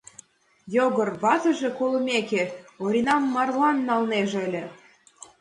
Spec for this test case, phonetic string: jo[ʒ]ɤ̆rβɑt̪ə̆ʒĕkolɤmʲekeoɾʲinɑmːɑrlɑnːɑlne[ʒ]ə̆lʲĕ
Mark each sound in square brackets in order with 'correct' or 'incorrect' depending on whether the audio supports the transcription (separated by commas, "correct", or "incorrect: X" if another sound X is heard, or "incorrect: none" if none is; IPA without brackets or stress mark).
incorrect: ɣ, correct